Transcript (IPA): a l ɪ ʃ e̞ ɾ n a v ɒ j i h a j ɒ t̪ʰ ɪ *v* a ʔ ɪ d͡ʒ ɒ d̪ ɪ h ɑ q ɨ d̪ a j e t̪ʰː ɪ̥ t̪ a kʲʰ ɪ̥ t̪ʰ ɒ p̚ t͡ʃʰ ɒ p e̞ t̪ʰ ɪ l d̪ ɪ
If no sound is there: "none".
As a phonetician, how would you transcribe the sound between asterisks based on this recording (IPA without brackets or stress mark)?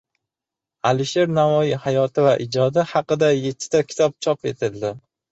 v